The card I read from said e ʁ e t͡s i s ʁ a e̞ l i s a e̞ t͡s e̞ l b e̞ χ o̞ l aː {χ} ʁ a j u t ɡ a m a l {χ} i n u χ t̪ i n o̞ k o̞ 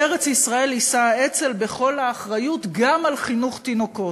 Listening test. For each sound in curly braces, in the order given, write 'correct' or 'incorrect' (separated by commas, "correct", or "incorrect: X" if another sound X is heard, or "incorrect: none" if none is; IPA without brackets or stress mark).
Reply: correct, correct